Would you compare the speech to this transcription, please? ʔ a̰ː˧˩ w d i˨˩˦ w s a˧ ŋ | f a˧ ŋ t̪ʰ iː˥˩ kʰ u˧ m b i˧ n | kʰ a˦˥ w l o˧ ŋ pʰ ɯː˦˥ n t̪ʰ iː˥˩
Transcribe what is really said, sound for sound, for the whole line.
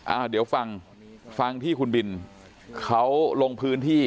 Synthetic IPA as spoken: ʔ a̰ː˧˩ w d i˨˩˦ w f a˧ ŋ | f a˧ ŋ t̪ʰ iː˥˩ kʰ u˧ n b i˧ n | kʰ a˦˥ w l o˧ ŋ pʰ ɯː˦˥ n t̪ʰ iː˥˩

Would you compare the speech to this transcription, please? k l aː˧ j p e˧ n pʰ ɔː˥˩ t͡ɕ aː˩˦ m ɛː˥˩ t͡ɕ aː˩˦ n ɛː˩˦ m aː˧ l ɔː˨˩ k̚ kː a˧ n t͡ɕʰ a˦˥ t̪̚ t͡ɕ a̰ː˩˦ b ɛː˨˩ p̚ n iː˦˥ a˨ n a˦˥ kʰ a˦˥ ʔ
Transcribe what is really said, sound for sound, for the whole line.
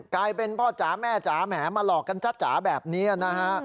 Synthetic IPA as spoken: k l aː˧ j p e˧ n pʰ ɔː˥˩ t͡ɕ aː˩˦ m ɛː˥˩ t͡ɕ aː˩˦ m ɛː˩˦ m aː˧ l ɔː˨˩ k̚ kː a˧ n t͡ɕʰ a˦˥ t̪̚ t͡ɕ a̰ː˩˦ b ɛː˨˩ p̚ n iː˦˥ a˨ n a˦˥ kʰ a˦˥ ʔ

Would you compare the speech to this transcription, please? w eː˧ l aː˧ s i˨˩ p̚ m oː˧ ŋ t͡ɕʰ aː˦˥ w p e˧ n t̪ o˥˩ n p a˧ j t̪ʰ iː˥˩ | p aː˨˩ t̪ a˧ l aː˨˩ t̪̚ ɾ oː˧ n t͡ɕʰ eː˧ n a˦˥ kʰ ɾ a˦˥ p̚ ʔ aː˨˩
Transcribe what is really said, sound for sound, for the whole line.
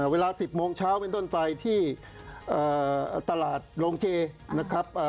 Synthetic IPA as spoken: w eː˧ l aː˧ s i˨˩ p̚ m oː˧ ŋ t͡ɕʰ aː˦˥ w p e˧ n t̪ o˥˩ n p a˧ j t̪ʰ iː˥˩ | ʔ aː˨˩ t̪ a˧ l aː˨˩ t̪̚ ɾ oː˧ ŋ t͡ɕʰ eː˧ n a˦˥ kʰ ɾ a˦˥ p̚ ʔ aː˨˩

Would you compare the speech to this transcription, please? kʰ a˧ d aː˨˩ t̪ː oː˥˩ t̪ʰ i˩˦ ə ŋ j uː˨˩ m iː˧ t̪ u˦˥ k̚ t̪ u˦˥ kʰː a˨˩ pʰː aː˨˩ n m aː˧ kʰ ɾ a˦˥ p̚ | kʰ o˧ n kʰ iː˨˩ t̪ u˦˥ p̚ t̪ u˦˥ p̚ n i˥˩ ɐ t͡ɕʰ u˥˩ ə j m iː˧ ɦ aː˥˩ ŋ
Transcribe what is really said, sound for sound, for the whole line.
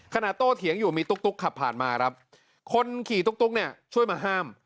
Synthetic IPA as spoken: kʰ a˧ n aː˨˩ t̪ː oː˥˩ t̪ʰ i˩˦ ə ŋ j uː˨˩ m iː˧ t̪ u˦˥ k̚ t̪ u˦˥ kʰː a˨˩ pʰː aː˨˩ n m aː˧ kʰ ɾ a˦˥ p̚ | kʰ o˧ n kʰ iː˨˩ t̪ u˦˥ k̚ t̪ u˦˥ k̚ n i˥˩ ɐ t͡ɕʰ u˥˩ ə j m aː˧ ɦ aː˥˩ m

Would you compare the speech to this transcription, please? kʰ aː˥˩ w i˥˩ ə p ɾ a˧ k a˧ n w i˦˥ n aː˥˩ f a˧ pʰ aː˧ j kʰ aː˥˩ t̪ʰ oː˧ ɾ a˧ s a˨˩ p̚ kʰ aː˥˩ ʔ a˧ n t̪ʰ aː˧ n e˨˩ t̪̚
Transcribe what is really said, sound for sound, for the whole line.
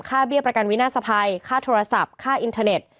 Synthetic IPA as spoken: kʰ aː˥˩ b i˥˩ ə p ɾ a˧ k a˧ n w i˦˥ n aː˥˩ s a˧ pʰ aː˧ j kʰ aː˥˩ t̪ʰ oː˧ ɾ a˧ s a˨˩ p̚ kʰ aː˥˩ ʔ i˧ n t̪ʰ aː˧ n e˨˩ t̪̚

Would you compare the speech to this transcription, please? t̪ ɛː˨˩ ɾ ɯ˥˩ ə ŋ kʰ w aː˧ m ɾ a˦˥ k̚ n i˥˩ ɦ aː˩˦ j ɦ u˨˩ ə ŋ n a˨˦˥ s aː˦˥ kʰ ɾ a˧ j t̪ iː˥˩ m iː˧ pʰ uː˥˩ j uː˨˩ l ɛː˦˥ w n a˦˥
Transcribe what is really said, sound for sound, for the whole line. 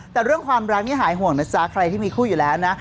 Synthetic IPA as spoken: t̪ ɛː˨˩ ɾ ɯ˥˩ ə ŋ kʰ w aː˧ m ɾ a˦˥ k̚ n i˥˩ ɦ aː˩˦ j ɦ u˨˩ ə ŋ n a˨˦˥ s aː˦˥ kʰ ɾ a˧ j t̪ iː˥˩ m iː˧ kʰ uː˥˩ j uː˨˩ l ɛː˦˥ w n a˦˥

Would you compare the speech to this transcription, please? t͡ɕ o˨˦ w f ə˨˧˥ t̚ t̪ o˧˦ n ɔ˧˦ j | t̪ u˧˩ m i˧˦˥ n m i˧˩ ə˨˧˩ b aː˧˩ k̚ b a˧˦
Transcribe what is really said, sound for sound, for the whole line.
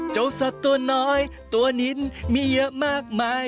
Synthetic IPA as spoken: t͡ɕ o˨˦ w s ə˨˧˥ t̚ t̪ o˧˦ n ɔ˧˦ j | t̪ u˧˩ n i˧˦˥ n m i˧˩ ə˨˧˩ m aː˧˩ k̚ m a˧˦

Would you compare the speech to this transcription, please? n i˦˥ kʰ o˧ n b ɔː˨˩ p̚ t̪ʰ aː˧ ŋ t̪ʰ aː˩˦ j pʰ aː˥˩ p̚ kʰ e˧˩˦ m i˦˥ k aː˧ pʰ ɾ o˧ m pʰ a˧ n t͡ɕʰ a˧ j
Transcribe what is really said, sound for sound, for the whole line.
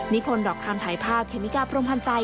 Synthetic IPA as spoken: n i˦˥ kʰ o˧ n d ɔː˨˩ k̚ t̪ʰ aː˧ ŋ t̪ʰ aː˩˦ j pʰ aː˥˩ p̚ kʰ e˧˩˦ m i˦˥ k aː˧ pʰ ɾ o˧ m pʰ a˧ n t͡ɕ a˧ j

